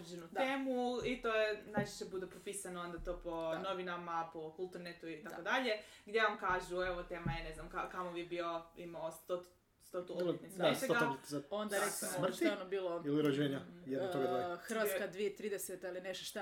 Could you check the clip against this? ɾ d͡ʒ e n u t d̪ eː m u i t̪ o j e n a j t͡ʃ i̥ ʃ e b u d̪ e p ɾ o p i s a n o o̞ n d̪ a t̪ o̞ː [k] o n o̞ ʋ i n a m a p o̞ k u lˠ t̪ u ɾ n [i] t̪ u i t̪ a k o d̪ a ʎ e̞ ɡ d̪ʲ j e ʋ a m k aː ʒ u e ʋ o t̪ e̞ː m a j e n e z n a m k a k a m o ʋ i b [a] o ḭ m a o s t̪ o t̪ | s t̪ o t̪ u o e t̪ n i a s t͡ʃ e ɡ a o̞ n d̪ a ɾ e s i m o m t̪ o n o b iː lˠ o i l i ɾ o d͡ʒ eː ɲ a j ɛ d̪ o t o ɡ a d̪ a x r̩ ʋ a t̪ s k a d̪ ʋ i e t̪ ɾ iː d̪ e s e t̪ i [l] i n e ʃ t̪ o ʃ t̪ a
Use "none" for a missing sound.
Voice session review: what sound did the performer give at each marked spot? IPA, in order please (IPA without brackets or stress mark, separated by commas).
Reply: p, e, i, l